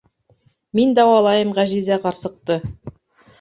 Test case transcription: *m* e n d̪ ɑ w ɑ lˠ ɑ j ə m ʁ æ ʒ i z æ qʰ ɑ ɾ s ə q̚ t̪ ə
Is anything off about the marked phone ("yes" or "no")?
no